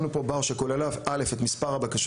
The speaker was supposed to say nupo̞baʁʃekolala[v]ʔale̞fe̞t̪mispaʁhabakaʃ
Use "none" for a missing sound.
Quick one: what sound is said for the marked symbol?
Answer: v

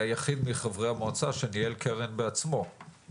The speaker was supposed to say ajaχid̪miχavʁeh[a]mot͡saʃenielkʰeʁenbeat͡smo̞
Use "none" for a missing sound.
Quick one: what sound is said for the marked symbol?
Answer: a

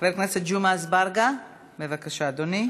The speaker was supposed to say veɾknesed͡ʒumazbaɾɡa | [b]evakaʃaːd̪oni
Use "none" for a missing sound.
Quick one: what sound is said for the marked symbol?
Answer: m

